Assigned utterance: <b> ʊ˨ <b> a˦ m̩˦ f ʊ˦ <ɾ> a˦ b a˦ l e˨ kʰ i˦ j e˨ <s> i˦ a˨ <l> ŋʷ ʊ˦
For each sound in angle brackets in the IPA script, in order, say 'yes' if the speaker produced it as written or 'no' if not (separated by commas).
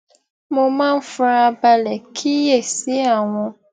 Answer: no, no, yes, yes, no